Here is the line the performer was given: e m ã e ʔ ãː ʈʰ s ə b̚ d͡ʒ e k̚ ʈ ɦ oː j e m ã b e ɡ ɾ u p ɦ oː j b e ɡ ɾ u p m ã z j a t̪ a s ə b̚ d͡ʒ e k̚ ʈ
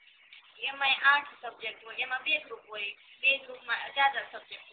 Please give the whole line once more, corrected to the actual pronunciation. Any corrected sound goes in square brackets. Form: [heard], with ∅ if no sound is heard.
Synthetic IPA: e m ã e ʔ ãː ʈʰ s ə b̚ d͡ʒ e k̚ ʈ ɦ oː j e m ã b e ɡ ɾ u p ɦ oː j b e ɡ ɾ u p m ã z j a [d̪] a s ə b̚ d͡ʒ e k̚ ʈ